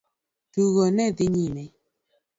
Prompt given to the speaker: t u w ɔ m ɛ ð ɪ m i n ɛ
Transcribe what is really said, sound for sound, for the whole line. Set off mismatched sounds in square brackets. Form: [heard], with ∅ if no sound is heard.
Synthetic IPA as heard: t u [ɣ] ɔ [n] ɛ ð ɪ [ɲ] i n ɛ